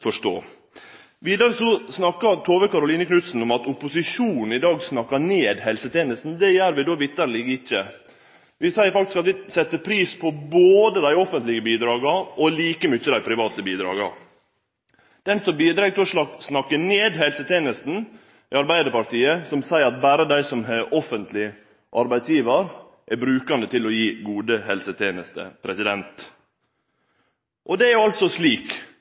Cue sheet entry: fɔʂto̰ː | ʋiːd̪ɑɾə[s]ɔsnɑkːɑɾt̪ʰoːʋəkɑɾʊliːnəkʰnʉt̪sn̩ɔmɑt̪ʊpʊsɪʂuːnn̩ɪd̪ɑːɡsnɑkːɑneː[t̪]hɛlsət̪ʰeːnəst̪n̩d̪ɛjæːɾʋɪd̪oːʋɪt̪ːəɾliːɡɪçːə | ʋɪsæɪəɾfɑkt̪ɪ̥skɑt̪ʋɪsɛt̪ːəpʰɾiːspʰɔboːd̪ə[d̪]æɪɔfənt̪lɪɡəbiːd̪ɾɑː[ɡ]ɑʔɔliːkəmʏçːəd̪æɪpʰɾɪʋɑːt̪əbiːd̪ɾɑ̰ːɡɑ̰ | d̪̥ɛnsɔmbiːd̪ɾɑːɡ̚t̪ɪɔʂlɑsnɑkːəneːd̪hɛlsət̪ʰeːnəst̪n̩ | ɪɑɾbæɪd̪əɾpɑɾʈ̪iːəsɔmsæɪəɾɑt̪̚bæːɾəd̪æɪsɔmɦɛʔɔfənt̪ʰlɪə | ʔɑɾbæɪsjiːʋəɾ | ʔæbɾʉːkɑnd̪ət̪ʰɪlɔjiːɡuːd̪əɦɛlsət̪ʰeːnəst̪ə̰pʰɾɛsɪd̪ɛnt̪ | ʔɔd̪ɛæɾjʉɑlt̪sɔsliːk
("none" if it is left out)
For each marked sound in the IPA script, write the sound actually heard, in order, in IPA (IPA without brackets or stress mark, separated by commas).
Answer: s, d̪, d̪, ɡ